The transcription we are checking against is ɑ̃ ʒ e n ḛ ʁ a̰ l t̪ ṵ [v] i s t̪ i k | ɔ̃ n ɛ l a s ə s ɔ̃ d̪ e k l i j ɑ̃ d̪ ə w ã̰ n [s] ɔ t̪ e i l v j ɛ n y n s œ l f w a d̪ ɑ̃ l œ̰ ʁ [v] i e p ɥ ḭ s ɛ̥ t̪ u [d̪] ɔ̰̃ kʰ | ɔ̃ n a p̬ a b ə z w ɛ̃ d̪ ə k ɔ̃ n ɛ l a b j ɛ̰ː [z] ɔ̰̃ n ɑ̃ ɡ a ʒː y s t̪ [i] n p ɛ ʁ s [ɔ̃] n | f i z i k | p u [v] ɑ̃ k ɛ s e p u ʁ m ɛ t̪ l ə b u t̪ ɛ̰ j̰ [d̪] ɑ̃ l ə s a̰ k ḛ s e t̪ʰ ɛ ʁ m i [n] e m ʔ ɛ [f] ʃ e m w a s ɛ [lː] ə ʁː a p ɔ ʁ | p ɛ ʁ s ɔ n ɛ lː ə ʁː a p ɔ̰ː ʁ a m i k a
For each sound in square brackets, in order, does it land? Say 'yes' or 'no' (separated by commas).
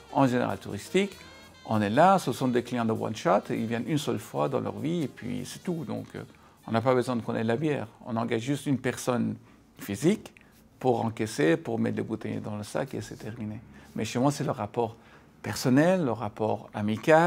no, no, yes, yes, no, no, no, no, yes, yes, no, no